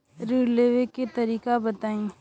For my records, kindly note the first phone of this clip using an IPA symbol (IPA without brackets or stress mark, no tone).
ɾ